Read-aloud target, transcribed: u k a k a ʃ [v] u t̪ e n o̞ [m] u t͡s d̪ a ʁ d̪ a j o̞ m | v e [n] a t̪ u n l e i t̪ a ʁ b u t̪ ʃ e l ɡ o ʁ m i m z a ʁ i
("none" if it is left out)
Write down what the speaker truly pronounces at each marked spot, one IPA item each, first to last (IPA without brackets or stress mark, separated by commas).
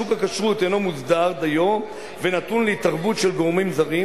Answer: ʁ, m, n